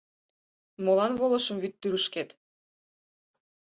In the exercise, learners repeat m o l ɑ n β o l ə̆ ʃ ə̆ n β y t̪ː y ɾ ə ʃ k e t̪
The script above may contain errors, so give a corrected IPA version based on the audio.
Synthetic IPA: m o l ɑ n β o l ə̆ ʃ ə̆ m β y t̪ː y ɾ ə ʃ k e t̪